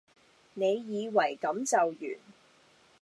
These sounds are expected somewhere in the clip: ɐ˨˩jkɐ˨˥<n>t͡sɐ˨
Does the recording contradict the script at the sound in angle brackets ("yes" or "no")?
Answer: yes